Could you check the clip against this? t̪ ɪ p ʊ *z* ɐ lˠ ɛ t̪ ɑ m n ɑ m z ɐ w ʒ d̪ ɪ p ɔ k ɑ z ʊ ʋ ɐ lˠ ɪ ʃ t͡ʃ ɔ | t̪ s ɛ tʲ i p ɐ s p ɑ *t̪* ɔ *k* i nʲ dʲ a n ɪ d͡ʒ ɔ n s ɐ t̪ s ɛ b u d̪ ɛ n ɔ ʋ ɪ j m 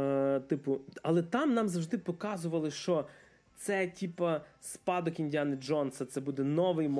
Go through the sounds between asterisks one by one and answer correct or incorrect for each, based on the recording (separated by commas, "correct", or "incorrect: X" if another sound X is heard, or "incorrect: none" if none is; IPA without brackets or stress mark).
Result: incorrect: none, incorrect: d̪, correct